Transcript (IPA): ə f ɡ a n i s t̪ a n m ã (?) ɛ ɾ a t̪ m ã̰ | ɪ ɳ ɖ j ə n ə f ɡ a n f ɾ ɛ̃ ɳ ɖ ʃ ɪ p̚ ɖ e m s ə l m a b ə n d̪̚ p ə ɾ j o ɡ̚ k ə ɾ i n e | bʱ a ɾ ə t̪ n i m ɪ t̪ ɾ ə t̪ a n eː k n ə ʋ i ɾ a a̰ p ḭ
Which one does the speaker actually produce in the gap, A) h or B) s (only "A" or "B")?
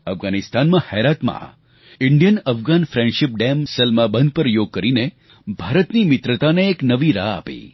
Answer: A